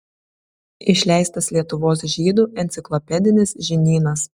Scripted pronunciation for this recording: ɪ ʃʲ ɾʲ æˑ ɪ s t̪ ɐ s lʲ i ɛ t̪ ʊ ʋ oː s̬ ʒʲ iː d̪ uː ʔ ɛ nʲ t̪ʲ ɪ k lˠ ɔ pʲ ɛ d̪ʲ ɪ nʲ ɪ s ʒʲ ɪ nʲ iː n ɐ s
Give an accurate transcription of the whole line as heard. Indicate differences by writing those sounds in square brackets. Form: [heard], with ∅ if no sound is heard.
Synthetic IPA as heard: ɪ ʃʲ [lʲ] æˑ ɪ s t̪ ɐ s lʲ i ɛ t̪ ʊ ʋ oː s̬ ʒʲ iː d̪ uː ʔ ɛ nʲ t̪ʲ ɪ k lˠ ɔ pʲ ɛ d̪ʲ ɪ nʲ ɪ s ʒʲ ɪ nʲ iː n ɐ s